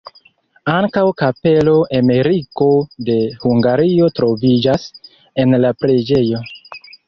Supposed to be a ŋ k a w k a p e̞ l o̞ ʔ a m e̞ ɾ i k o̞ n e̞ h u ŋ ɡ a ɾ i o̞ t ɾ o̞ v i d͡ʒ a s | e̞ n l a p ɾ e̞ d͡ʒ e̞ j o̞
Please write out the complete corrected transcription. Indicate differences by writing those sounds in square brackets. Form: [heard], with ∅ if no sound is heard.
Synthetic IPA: a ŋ k a w k a p e̞ l o̞ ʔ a m e̞ ɾ i k o̞ [d] e̞ h u ŋ ɡ a ɾ i o̞ t ɾ o̞ v i d͡ʒ a s | e̞ n l a p ɾ e̞ d͡ʒ e̞ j o̞